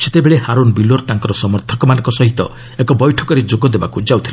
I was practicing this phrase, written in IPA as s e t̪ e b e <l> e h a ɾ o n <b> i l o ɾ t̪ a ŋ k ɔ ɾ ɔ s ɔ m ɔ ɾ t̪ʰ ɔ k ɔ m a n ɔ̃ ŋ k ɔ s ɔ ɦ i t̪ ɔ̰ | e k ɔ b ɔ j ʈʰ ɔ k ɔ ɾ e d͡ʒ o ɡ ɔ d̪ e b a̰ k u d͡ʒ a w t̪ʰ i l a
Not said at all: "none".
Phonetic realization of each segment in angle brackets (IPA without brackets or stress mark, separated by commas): ɭ, b